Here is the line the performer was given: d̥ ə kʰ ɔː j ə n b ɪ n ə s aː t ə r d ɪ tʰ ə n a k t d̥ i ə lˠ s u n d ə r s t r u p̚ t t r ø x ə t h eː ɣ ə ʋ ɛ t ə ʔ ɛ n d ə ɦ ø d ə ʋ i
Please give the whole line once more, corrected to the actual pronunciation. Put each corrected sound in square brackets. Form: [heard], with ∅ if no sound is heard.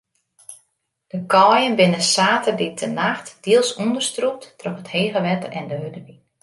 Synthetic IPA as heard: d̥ ə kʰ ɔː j ə n b ɪ n ə s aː t ə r d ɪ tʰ ə n a [x] t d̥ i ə lˠ s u n d ə r s t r u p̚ t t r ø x ə t h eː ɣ ə ʋ ɛ t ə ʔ ɛ n d ə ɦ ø d ə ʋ i